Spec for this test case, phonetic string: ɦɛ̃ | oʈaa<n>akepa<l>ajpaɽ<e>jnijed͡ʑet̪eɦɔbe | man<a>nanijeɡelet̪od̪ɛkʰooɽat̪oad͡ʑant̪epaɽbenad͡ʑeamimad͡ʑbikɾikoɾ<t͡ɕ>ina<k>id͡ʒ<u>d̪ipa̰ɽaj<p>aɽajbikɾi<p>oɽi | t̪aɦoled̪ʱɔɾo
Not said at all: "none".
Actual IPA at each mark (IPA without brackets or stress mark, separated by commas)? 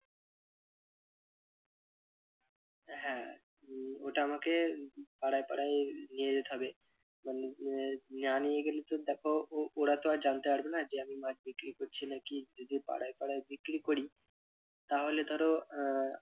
m, ɽ, a, e, t͡ɕʰ, k, o, p, k